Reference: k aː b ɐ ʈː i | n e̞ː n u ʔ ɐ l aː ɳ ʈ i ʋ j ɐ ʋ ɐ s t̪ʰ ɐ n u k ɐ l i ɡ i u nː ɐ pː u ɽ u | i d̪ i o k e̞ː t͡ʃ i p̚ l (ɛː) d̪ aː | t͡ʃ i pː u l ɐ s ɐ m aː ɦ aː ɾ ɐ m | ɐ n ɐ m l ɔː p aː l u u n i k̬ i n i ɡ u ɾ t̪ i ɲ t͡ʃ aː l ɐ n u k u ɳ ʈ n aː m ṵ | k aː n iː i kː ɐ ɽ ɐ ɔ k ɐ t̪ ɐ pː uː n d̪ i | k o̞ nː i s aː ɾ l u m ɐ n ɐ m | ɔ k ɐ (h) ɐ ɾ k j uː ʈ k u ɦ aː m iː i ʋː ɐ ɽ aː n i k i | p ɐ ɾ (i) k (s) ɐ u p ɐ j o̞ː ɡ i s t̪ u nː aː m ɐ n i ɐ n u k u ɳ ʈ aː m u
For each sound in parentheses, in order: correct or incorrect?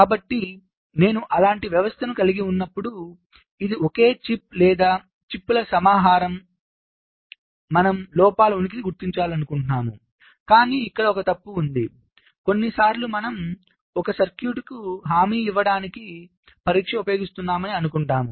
correct, incorrect, incorrect, incorrect

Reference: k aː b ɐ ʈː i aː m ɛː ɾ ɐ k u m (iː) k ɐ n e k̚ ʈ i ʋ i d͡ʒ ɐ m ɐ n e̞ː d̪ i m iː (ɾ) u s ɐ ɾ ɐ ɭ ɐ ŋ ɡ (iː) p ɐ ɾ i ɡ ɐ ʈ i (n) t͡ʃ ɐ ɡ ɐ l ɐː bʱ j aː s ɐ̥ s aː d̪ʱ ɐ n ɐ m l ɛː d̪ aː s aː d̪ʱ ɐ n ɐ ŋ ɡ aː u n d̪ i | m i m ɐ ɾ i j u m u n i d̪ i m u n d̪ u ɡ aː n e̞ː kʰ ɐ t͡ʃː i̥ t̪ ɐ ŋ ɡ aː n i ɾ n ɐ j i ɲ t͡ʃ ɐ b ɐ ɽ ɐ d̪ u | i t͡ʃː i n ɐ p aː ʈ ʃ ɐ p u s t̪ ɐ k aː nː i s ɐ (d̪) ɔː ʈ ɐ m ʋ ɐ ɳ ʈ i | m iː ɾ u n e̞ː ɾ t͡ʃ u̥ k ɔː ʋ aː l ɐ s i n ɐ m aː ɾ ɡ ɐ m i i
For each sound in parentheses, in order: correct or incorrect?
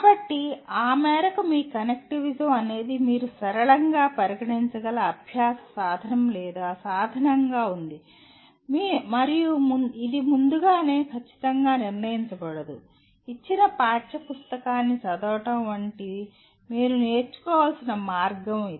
correct, correct, incorrect, incorrect, correct

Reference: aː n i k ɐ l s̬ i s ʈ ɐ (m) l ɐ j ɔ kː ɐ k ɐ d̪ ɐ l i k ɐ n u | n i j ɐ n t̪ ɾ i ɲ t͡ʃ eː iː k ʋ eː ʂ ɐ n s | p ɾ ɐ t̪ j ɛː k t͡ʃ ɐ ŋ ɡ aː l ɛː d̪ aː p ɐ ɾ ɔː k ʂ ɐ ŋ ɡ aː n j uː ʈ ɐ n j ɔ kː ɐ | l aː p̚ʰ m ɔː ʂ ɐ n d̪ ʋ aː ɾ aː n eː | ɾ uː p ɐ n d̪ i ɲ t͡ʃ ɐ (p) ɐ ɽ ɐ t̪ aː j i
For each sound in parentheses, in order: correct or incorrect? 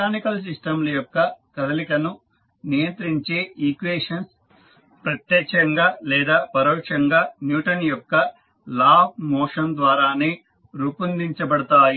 correct, incorrect

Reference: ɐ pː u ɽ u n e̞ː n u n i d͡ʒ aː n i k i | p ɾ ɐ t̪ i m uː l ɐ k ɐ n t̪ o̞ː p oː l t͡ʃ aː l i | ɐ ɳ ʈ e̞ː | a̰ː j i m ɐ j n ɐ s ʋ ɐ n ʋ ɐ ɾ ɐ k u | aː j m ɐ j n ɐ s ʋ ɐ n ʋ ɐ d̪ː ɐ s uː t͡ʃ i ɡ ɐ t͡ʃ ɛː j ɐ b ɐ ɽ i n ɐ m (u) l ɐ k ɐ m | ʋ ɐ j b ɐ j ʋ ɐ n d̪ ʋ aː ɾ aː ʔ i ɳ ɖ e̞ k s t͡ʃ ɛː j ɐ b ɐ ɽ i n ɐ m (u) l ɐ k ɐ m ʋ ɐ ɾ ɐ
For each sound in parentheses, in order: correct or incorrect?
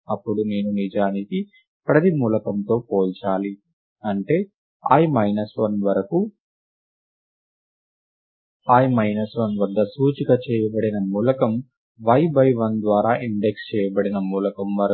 incorrect, incorrect

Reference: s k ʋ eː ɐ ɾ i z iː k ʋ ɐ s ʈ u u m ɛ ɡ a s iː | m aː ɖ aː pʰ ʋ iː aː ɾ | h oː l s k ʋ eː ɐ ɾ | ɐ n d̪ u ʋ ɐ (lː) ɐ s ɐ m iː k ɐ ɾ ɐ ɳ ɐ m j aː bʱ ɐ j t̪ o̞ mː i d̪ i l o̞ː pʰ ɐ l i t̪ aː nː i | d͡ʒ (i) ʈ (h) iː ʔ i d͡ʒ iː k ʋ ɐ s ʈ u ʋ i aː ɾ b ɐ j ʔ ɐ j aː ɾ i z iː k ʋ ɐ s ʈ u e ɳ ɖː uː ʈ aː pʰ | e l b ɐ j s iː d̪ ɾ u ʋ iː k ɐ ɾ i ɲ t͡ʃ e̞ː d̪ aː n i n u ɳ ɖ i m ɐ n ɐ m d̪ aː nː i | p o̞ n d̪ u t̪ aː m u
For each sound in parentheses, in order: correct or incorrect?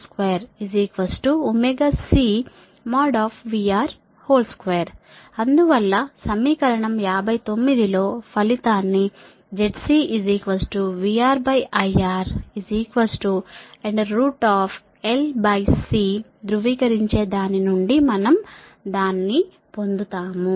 correct, incorrect, incorrect

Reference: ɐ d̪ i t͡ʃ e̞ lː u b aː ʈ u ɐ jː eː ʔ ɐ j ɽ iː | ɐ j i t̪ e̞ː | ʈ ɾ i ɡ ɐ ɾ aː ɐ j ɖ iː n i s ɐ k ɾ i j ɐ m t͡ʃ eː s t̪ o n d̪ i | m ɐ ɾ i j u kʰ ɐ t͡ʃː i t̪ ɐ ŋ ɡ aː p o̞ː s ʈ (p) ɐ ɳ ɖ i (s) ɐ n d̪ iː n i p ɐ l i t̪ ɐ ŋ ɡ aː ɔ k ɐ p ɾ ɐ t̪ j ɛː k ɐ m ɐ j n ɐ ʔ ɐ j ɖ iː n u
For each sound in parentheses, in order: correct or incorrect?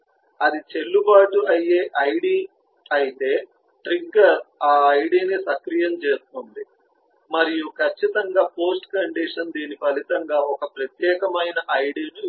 incorrect, incorrect

